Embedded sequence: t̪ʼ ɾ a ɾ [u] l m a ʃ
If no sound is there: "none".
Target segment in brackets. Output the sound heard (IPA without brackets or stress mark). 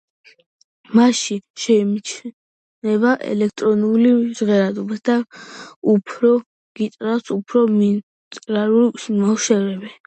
u